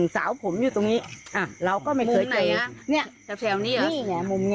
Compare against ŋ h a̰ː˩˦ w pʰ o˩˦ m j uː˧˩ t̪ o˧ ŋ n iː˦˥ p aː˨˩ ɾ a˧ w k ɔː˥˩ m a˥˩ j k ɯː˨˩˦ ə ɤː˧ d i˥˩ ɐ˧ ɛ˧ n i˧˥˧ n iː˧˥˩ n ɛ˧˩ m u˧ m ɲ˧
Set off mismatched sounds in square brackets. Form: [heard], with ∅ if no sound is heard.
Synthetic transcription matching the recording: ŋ [s] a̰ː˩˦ w pʰ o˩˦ m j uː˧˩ t̪ o˧ ŋ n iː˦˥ [ʔ] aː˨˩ ɾ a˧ w k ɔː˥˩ m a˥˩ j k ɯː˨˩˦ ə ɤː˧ [n] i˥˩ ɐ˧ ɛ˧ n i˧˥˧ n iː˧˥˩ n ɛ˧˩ m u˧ m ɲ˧